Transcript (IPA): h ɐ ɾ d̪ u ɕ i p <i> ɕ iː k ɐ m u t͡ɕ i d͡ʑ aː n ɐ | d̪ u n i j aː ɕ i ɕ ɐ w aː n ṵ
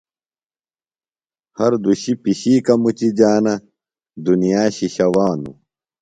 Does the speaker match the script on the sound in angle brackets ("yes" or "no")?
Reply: yes